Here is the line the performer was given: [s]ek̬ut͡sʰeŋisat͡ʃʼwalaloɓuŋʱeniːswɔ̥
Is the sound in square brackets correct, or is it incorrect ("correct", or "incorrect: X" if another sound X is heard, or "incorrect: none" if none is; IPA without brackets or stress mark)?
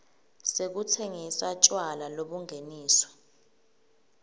correct